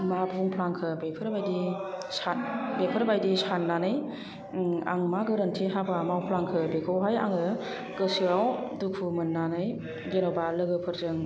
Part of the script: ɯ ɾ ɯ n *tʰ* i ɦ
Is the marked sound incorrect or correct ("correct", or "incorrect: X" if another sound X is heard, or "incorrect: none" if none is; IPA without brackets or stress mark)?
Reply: correct